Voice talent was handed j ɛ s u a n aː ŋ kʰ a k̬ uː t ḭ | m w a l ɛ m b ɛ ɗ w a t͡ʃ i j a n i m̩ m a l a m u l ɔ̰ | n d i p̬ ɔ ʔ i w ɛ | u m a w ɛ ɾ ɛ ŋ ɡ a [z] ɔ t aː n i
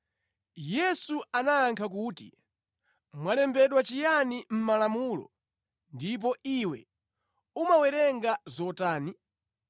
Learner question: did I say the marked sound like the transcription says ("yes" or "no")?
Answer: yes